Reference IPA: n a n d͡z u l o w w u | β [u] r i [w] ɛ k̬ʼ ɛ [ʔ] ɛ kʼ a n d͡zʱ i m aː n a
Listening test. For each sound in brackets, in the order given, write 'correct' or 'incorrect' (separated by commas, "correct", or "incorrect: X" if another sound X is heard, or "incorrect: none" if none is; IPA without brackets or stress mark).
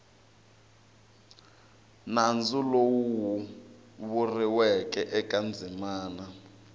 correct, correct, correct